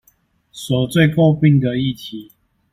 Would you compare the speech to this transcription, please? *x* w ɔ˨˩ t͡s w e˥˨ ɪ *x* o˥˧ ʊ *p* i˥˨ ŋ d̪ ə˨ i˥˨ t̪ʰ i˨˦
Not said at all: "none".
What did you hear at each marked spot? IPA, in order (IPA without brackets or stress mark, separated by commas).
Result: s, k, p